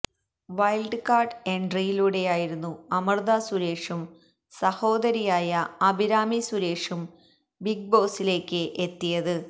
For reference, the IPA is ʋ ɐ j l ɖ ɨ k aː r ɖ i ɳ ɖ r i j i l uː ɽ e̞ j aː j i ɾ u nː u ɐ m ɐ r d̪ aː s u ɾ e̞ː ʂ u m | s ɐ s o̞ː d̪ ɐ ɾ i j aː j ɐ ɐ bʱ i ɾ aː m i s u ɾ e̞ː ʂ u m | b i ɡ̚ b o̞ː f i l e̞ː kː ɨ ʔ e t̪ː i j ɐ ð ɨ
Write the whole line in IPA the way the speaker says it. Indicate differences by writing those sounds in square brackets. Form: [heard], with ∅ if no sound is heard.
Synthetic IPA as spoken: ʋ ɐ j l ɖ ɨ k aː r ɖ [e] ɳ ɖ r i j i l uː ɽ e̞ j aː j i ɾ u nː u ɐ m ɐ r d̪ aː s u ɾ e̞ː ʂ u m | s ɐ [h] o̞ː d̪ ɐ ɾ i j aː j ɐ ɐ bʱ i ɾ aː m i s u ɾ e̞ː ʂ u m | b i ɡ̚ b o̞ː [s] i l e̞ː kː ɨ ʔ e t̪ː i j ɐ ð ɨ